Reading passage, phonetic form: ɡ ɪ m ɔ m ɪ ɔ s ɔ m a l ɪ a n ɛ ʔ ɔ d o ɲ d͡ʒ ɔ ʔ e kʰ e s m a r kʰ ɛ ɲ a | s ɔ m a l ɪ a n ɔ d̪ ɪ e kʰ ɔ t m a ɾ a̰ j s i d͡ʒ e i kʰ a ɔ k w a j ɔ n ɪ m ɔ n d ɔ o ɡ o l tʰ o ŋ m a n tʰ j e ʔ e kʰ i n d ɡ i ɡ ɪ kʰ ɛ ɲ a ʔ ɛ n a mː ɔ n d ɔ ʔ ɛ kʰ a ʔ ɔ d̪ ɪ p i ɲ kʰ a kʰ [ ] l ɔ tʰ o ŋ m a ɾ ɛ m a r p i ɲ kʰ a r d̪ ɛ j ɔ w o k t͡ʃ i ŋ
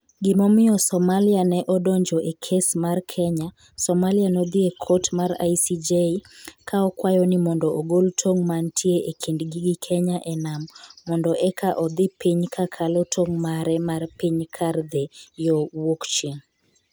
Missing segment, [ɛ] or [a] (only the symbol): a